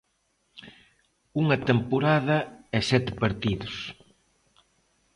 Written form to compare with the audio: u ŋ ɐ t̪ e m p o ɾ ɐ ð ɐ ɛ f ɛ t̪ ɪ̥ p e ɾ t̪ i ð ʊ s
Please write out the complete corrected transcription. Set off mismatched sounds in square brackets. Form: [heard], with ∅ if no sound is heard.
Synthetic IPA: u ŋ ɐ t̪ e m p o ɾ [a] ð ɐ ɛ [s] ɛ t̪ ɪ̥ p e ɾ t̪ i ð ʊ s